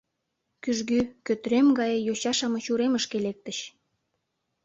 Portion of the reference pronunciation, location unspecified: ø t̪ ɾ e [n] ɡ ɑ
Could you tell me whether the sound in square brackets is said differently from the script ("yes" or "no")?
yes